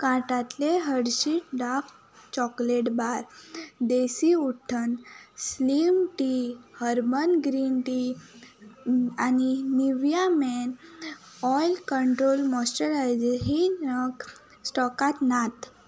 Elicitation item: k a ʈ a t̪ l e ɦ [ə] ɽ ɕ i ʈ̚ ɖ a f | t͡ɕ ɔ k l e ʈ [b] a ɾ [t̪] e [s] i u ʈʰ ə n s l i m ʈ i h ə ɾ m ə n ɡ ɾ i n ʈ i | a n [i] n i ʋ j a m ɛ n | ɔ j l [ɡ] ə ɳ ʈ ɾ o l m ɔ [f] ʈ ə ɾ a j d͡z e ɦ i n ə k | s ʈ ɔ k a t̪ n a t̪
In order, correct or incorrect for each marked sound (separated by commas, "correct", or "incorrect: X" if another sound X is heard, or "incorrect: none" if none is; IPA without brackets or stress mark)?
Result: correct, correct, incorrect: d̪, correct, correct, incorrect: k, incorrect: s